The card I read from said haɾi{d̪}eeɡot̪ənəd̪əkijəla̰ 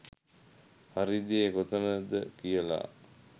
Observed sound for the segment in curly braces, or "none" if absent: d̪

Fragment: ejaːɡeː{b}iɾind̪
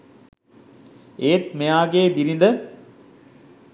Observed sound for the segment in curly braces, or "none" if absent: b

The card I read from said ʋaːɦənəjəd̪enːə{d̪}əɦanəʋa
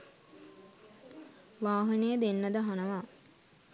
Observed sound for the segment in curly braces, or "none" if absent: d̪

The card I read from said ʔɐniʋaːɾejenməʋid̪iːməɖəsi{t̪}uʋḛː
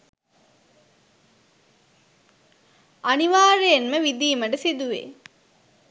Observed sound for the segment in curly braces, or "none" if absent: d̪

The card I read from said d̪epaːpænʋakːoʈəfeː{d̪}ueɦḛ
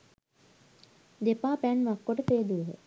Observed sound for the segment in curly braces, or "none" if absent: d̪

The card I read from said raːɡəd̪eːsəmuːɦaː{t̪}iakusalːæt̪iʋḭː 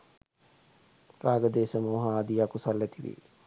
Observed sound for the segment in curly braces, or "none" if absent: d̪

